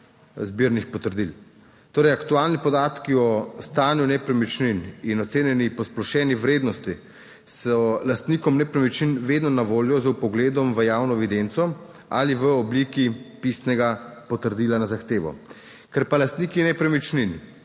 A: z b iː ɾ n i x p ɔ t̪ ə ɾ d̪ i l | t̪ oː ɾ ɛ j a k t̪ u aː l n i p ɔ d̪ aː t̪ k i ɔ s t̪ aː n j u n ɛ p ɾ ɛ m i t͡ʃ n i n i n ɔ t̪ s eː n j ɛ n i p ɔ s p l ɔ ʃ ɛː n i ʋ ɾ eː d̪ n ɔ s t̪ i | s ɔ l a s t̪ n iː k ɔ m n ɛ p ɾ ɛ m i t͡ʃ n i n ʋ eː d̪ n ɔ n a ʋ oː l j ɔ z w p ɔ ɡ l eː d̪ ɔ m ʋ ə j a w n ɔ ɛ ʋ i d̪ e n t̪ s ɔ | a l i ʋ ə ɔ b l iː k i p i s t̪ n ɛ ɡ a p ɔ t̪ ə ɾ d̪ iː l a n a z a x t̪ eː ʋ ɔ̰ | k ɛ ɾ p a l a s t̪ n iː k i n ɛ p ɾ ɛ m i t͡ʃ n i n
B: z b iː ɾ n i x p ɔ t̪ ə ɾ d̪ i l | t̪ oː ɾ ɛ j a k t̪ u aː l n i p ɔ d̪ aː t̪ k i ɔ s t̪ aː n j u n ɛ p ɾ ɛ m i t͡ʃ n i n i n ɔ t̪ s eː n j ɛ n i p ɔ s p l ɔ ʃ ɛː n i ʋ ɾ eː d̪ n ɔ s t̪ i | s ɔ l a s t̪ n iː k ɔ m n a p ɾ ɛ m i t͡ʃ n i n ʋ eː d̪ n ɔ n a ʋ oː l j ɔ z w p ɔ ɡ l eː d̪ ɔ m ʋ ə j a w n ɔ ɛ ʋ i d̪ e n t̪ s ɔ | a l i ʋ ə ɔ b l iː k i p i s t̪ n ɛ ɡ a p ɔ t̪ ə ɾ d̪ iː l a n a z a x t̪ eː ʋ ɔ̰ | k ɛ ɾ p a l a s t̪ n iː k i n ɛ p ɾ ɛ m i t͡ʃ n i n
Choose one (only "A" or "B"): A